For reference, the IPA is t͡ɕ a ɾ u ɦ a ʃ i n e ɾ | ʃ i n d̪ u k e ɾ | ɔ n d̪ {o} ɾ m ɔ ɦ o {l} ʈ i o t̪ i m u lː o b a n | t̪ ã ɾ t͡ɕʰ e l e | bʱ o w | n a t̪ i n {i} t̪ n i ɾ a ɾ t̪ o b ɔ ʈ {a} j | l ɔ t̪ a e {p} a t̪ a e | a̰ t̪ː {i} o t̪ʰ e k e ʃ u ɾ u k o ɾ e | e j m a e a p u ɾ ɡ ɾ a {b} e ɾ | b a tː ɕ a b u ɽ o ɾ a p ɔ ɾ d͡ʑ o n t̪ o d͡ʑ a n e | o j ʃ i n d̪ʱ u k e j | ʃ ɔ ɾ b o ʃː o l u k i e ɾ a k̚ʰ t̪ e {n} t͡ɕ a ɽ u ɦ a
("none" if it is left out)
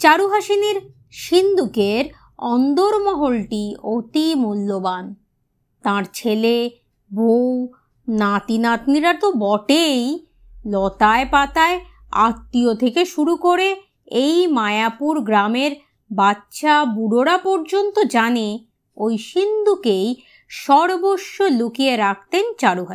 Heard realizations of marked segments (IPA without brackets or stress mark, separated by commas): o, l, a, e, p, i, m, n